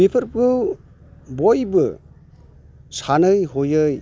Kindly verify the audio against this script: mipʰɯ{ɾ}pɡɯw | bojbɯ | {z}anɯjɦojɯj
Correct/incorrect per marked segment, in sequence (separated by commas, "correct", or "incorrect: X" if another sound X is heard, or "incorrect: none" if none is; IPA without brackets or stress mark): correct, incorrect: s